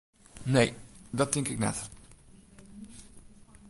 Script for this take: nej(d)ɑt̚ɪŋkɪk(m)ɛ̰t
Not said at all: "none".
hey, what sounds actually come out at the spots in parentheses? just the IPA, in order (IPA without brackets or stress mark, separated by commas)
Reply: d, n